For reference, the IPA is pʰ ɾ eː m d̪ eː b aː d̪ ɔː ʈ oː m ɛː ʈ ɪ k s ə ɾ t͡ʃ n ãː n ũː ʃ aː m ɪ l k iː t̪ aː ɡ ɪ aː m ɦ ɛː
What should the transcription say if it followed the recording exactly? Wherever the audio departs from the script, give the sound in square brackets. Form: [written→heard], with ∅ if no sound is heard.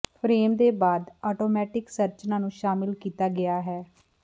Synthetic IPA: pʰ ɾ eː m d̪ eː b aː d̪ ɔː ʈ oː m ɛː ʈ ɪ k s ə ɾ t͡ʃ n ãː n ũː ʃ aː m ɪ l k iː t̪ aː ɡ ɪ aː [m→∅] ɦ ɛː